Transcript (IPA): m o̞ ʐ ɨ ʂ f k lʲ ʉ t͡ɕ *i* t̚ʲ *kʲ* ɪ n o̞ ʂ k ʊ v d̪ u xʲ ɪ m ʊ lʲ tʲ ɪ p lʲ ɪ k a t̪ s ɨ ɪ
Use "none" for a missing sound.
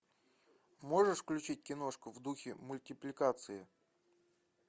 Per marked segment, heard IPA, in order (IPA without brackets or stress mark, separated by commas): i, kʲ